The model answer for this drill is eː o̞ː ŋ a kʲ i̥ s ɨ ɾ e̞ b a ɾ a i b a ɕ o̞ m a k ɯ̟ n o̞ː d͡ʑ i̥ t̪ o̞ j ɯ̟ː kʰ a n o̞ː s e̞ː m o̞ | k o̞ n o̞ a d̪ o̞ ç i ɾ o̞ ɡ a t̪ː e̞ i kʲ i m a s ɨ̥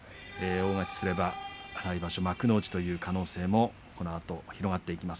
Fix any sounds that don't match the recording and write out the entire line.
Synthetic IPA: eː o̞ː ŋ a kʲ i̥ s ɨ ɾ e̞ b a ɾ a i b a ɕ o̞ m a k ɯ̟ n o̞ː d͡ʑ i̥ t̪ o̞ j ɯ̟ː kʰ a n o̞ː s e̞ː m o̞ | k o̞ n o̞ a t̪ o̞ ç i ɾ o̞ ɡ a t̪ː e̞ i kʲ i m a s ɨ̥